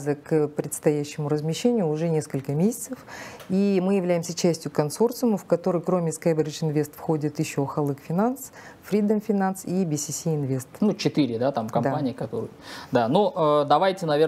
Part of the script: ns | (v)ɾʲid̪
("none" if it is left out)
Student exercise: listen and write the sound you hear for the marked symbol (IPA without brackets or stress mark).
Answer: f